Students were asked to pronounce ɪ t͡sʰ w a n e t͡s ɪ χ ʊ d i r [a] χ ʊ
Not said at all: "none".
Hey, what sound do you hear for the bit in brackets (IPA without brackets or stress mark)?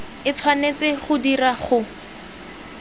a